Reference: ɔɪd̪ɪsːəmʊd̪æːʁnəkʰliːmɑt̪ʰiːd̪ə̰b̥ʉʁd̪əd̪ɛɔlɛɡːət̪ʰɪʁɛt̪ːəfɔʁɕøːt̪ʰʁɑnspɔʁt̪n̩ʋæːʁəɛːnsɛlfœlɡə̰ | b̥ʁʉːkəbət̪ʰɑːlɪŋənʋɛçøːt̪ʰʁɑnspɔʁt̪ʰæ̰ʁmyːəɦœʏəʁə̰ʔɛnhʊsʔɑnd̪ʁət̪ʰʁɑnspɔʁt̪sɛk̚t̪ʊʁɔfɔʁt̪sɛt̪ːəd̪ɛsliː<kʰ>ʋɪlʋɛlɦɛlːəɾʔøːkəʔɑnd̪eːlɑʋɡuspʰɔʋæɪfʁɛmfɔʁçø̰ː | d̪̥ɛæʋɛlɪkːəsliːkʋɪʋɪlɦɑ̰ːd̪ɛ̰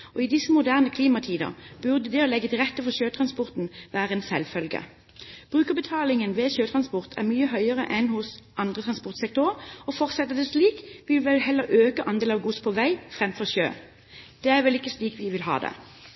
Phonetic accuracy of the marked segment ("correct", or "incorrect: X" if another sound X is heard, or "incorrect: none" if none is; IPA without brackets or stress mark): incorrect: k